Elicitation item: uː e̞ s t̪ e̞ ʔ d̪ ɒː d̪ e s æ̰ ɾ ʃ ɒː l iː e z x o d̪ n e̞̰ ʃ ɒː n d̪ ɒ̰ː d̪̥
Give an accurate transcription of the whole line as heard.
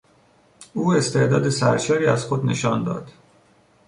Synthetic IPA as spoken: uː e̞ s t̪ e̞ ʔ d̪ ɒː d̪ e s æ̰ ɾ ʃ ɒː ɾ iː æ z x o d̪ n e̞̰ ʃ ɒː n d̪ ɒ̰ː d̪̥